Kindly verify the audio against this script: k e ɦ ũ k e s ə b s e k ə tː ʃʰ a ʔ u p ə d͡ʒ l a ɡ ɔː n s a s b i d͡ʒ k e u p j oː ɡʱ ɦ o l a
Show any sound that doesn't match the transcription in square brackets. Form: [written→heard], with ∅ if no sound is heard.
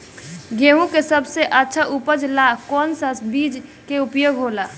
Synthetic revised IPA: [k→ɡ] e ɦ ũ k e s ə b s e [k→ʔ] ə tː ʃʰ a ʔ u p ə d͡ʒ l a [ɡ→k] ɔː n s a s b i d͡ʒ k e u p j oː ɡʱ ɦ o l a